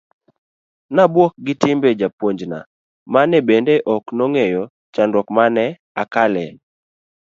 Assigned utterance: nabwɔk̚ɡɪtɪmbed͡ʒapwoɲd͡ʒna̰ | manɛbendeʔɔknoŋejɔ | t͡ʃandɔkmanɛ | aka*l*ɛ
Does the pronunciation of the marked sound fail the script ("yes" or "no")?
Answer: no